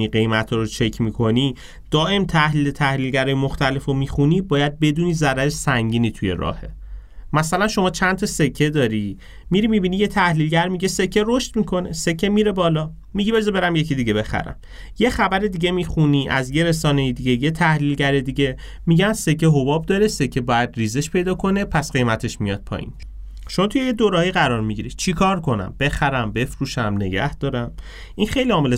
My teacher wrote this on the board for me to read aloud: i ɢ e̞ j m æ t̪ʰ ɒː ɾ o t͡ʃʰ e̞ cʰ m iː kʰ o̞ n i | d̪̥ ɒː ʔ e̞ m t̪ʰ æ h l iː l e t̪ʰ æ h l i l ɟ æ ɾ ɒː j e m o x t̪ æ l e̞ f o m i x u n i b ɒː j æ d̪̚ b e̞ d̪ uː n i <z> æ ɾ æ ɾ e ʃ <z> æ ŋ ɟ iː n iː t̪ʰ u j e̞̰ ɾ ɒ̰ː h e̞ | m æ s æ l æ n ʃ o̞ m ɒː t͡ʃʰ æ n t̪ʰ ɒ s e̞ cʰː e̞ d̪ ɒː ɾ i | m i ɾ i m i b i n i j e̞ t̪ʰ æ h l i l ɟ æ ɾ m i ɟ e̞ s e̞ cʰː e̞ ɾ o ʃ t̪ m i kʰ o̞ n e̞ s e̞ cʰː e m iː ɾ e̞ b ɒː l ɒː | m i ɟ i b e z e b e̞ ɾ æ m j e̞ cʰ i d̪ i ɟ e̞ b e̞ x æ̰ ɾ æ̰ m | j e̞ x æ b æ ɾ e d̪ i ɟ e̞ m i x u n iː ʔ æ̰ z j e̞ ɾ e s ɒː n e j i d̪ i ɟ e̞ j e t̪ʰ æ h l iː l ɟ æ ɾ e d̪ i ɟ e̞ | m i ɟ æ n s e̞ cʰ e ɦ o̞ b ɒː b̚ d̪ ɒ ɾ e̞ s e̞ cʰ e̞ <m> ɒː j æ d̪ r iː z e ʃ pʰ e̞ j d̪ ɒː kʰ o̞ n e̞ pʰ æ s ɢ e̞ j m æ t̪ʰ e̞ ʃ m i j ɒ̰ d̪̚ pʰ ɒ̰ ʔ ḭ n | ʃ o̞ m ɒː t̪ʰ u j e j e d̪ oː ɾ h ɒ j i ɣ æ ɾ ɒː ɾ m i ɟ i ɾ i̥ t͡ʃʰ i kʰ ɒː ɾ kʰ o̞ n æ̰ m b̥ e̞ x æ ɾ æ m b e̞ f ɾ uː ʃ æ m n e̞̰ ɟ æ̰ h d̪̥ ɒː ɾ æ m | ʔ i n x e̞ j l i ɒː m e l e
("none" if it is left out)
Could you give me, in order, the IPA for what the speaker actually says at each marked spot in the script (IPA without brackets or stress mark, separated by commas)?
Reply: z, s, b